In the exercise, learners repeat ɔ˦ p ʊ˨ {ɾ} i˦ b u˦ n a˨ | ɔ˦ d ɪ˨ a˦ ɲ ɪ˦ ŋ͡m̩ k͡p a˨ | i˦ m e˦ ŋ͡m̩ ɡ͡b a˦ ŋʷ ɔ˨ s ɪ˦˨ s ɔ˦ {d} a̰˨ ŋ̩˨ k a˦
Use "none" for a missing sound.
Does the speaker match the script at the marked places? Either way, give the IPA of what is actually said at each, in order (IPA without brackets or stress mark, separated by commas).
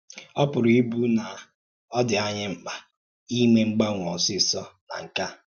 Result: ɾ, n